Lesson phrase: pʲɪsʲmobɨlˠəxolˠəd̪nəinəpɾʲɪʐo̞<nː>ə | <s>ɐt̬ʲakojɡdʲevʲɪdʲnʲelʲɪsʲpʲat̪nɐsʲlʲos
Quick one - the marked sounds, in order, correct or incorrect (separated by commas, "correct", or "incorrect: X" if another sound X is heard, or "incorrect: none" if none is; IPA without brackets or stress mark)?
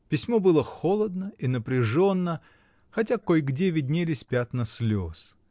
correct, incorrect: x